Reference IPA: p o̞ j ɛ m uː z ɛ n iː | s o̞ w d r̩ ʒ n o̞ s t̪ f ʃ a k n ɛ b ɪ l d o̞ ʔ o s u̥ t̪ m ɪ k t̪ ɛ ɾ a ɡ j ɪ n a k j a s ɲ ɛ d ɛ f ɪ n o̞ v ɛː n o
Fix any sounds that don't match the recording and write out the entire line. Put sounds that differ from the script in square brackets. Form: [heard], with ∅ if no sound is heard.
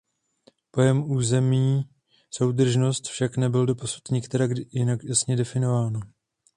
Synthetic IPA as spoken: p o̞ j ɛ m uː z ɛ [m] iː | s o̞ w d r̩ ʒ n o̞ s t̪ f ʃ a k n ɛ b ɪ l d o̞ [p] o s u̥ t̪ [ɲ] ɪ k t̪ ɛ ɾ a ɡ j ɪ n a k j a s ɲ ɛ d ɛ f ɪ n o̞ v [aː] n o